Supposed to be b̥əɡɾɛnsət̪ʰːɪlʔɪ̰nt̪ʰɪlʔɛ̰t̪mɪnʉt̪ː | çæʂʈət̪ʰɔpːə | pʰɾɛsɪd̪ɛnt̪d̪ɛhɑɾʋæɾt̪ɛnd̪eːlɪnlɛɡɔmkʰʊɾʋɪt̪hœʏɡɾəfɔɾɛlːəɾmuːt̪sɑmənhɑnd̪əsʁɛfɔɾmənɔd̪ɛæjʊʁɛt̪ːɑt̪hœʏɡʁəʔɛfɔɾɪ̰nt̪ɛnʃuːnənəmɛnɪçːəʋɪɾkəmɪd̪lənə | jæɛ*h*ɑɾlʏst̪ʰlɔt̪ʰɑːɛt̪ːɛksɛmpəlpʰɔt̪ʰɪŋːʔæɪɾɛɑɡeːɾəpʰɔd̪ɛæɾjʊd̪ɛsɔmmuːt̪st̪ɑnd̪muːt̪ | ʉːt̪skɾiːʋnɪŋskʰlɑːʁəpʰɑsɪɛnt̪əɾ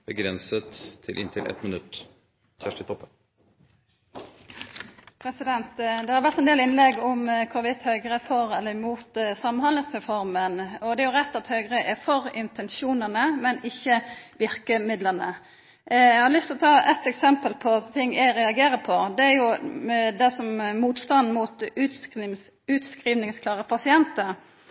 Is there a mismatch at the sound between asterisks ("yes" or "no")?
no